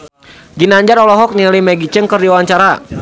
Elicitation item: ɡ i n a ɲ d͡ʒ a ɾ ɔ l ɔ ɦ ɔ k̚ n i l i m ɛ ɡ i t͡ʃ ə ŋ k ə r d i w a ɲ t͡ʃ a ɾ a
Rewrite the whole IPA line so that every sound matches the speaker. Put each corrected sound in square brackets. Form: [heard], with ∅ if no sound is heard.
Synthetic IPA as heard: ɡ i n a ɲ d͡ʒ a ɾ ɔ l ɔ ɦ ɔ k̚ n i l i m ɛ ɡ i t͡ʃ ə ŋ k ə r d i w a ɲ t͡ʃ a ɾ a